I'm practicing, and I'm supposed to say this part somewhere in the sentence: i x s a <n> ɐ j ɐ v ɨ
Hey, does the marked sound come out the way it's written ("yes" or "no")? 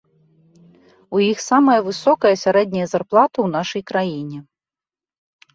no